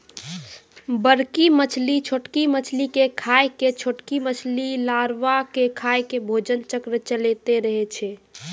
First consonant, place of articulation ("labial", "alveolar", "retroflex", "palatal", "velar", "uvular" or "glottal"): labial